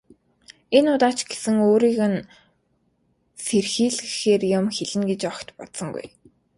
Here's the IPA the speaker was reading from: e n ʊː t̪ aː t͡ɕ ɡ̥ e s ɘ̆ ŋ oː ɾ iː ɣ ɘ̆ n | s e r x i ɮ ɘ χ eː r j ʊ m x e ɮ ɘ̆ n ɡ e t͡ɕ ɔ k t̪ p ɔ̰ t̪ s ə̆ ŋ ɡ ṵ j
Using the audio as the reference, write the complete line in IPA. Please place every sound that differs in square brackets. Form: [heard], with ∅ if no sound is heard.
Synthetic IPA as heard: e n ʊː t̪ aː t͡ɕ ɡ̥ e s ɘ̆ ŋ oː ɾ iː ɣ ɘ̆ n | s e r x [iː] ɮ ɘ [x] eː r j ʊ m x e ɮ ɘ̆ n ɡ e t͡ɕ ɔ k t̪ p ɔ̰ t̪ s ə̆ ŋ ɡ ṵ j